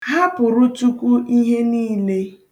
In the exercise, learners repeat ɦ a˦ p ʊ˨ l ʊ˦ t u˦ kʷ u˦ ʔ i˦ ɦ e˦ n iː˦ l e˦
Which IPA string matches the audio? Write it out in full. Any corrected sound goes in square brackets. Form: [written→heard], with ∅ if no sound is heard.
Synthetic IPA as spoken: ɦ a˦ p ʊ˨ [l→ɾ] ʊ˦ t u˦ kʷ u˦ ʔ i˦ ɦ e˦ n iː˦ l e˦

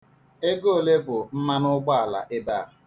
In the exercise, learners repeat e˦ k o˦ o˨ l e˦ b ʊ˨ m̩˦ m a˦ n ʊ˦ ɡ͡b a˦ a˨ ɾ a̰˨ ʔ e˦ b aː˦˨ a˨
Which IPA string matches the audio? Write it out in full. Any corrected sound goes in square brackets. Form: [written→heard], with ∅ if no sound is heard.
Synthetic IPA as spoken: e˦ [k→ɡ] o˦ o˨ l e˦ b ʊ˨ [m̩˦→n̩˦] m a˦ n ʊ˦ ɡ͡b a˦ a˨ [ɾ→l] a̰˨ ʔ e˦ b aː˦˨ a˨

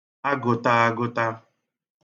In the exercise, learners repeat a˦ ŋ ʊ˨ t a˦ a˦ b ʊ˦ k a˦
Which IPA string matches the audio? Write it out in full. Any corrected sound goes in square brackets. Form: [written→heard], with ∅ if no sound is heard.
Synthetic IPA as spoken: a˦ [ŋ→ɡ] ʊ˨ t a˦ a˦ [b→ɡ] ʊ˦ [k→t] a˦

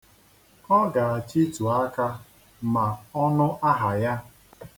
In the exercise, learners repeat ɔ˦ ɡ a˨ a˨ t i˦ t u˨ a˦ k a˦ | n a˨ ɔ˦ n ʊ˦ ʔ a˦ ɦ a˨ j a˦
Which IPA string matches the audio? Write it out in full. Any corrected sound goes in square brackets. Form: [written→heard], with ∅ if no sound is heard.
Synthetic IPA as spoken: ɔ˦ ɡ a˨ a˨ [t→t͡ʃ] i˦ t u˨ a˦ k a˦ | [n→m] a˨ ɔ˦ n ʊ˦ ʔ a˦ ɦ a˨ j a˦

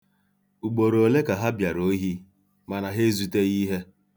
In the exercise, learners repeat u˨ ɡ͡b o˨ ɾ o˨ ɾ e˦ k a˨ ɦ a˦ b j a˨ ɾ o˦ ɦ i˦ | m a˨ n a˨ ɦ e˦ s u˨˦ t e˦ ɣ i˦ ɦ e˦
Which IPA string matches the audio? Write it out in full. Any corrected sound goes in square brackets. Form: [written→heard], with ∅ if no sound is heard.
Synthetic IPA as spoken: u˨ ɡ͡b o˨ ɾ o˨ [ɾ→l] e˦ k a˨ ɦ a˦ b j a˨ ɾ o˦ ɦ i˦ | m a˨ n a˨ ɦ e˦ [s→z] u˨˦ t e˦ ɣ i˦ ɦ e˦

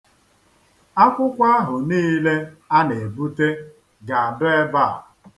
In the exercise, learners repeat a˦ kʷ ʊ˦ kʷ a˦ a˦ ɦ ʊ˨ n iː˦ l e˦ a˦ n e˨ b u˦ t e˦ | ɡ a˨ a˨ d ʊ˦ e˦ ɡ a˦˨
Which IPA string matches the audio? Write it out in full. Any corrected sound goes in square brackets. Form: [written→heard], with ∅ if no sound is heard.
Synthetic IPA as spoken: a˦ kʷ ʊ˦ kʷ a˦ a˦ ɦ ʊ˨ n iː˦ l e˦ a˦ n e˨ b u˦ t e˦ | ɡ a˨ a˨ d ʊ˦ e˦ [ɡ→b] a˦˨

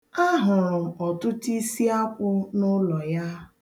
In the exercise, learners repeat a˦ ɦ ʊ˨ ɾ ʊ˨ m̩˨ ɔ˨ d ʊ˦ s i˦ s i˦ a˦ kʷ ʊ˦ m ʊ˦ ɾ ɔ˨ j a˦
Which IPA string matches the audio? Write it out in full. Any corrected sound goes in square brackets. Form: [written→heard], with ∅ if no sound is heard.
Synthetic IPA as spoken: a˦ ɦ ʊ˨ ɾ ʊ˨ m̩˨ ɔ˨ [d→t] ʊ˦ [s→t] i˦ s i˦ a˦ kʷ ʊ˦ [m→n] ʊ˦ [ɾ→l] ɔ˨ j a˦

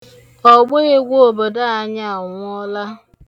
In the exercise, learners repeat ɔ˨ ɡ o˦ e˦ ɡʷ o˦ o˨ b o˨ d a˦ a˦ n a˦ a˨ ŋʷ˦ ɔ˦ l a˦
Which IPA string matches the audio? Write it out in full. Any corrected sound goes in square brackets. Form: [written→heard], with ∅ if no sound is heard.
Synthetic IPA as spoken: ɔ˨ [ɡ→ɡ͡b] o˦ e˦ ɡʷ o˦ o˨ b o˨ d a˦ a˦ [n→ɲ] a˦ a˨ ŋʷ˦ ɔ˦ l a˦

